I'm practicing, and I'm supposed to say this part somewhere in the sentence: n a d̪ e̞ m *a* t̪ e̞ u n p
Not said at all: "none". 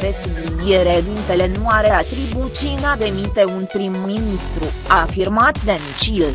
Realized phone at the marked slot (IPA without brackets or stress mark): i